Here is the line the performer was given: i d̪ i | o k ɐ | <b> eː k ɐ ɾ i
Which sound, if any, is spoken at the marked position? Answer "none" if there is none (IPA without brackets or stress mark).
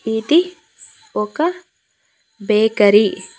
b